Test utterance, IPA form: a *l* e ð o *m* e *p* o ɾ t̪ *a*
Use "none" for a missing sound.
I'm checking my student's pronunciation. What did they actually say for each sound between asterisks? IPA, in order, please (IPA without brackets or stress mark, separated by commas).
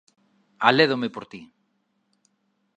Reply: l, m, p, i